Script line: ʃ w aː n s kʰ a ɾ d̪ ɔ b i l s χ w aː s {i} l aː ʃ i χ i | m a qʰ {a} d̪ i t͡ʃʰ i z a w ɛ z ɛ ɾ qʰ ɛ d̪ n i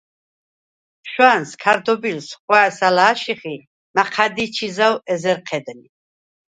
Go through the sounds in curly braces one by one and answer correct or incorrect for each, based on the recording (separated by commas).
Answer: incorrect, correct